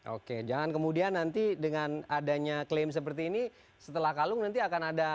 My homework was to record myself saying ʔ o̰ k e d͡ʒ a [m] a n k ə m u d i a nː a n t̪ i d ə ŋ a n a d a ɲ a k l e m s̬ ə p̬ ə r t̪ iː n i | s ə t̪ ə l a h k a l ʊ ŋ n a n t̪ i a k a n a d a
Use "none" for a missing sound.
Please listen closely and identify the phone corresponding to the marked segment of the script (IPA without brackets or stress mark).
ŋ